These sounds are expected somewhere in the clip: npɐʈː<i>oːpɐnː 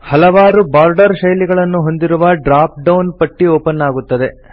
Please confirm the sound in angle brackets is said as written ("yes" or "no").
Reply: yes